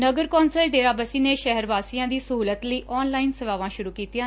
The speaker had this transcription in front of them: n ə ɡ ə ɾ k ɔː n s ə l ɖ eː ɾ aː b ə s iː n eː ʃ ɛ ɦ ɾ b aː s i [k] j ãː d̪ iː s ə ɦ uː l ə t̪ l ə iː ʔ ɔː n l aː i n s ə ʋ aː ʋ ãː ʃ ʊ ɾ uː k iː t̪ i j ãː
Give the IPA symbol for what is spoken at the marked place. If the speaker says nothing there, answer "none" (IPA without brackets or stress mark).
none